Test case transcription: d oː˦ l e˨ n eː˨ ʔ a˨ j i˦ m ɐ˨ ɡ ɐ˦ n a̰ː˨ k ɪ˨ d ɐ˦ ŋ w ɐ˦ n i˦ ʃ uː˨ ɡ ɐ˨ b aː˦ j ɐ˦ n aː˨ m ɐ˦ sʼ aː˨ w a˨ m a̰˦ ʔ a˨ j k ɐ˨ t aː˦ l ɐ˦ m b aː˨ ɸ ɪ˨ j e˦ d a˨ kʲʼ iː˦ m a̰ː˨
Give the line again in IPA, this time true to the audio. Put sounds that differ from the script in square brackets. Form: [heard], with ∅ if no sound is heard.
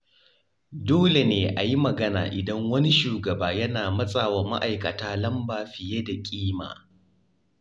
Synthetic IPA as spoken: d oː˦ l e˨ n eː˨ ʔ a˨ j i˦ m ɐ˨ ɡ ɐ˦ n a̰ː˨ [ʔ] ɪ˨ d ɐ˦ ŋ w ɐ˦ n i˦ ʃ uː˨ ɡ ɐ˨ b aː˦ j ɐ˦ n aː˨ m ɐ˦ sʼ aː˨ w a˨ m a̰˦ ʔ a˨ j k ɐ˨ t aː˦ l ɐ˦ m b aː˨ ɸ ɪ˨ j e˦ d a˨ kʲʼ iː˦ m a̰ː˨

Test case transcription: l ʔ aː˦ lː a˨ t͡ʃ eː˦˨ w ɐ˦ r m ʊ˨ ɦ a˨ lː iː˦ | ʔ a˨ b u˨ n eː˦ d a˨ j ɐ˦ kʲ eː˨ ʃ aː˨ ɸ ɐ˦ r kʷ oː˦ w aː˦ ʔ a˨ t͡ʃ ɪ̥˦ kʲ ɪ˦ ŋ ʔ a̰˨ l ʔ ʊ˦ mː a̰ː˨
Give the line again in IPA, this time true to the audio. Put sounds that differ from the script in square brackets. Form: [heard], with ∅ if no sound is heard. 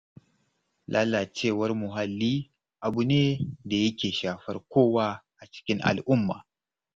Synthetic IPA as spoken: l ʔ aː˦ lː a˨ t͡ʃ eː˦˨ w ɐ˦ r m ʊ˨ ɦ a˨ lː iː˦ | ʔ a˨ b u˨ n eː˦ d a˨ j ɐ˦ kʲ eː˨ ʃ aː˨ ɸ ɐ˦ r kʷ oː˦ w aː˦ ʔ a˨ t͡ʃ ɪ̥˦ kʲ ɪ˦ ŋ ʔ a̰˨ l ʔ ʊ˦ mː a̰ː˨

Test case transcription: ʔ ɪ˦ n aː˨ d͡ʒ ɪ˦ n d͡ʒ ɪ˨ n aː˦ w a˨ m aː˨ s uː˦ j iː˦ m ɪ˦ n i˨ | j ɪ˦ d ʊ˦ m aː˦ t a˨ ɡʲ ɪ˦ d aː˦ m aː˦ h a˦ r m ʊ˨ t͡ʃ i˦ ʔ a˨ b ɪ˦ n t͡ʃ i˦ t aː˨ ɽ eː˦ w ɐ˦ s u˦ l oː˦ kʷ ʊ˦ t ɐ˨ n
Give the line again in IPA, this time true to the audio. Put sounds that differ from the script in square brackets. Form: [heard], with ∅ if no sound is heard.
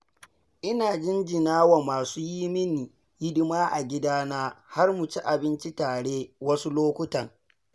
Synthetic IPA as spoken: ʔ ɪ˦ n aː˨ d͡ʒ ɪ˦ n d͡ʒ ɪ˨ n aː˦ w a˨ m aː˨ s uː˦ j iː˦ m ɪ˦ n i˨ | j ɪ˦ d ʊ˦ m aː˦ [ʔ] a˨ ɡʲ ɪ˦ d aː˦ [n] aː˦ h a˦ r m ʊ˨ t͡ʃ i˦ ʔ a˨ b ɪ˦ n t͡ʃ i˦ t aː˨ ɽ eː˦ w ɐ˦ s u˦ l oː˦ kʷ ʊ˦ t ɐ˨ [ŋ]

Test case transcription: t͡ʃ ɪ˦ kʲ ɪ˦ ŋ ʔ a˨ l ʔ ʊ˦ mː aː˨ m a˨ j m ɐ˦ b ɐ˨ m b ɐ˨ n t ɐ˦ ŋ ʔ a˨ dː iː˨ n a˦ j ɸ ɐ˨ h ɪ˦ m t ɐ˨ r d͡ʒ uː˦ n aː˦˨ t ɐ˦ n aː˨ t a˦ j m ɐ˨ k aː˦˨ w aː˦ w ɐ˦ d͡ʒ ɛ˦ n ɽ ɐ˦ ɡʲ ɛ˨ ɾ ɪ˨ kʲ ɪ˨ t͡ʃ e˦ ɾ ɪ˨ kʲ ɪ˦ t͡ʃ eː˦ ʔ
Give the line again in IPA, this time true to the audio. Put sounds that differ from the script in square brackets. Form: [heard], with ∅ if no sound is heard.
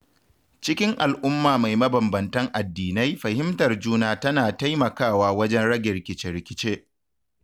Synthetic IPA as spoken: t͡ʃ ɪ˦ kʲ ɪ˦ ŋ ʔ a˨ l ʔ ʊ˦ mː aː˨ m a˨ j m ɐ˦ b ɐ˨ m b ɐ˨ n t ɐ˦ ŋ ʔ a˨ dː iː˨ n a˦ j ɸ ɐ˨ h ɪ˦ m t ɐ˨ r d͡ʒ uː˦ n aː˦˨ t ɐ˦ n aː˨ t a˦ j m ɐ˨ k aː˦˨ w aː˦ w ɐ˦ d͡ʒ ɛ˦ n ɽ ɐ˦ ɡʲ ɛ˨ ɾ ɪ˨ kʲ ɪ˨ t͡ʃ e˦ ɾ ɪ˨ kʲ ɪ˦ t͡ʃ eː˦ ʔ

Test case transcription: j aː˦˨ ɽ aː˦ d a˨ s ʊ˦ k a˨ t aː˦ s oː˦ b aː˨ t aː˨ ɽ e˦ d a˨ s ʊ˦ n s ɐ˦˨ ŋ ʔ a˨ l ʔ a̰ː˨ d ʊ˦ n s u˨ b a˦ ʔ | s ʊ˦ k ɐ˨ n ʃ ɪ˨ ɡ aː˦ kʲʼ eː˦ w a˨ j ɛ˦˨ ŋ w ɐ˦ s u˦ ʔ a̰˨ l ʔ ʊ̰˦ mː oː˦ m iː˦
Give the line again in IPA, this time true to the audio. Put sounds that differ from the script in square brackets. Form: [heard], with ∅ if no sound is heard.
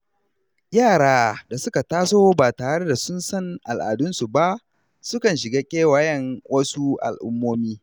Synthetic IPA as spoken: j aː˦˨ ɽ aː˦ d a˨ s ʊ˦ k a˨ t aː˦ s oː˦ b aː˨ t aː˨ ɽ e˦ d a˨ s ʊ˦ n s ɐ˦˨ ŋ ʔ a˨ l ʔ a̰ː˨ d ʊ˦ n s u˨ b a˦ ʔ | s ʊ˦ k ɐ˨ n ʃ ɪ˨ ɡ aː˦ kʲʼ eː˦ w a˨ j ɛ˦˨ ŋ w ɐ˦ s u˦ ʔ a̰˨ l ʔ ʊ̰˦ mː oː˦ m iː˦

